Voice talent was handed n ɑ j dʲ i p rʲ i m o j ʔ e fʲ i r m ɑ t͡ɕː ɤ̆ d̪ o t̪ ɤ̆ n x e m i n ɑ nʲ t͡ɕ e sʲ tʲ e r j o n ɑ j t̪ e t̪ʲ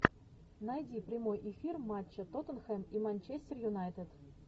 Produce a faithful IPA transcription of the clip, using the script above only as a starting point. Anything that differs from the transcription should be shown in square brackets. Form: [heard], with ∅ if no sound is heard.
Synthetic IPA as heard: n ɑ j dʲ i p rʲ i m o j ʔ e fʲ i r m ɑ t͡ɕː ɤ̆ [t̪] o t̪ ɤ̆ n x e m i [m] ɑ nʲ t͡ɕ e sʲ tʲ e r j [u] n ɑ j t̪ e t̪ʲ